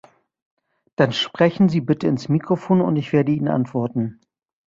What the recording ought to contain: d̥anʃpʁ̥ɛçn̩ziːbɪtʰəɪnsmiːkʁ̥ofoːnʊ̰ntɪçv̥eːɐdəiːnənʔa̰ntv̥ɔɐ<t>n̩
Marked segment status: correct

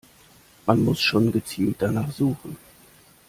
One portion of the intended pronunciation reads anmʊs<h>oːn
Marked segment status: incorrect: ʃ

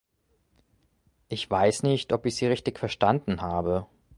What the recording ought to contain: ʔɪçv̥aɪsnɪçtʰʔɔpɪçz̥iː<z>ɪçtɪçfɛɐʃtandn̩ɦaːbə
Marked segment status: incorrect: ʁ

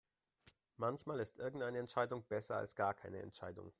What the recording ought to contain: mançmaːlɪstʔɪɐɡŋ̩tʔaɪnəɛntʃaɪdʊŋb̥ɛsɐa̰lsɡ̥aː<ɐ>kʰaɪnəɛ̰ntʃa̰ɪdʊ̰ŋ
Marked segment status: correct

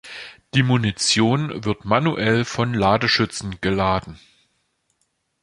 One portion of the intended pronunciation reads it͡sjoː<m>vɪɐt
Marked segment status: incorrect: n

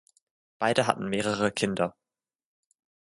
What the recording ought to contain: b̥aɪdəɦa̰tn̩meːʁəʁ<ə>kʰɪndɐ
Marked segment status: correct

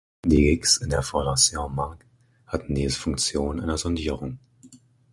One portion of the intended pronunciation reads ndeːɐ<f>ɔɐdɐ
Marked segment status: correct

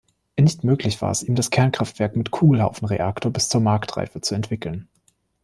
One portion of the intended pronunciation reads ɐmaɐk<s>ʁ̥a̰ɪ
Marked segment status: incorrect: t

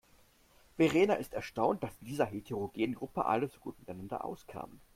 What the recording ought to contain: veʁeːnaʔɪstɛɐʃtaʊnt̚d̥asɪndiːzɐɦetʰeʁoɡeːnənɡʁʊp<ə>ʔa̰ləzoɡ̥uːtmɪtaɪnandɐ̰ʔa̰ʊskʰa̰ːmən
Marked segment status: correct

